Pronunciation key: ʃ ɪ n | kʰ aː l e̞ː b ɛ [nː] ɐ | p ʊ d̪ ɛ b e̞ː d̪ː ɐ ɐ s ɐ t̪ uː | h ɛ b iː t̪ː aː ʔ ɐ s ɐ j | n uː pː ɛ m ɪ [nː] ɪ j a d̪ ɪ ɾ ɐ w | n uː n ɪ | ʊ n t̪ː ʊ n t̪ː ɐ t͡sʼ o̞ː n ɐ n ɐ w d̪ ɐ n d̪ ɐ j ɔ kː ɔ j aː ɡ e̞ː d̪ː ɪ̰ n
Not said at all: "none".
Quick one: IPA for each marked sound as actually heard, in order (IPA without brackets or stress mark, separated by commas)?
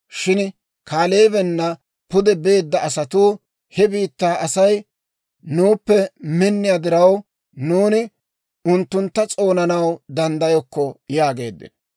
nː, nː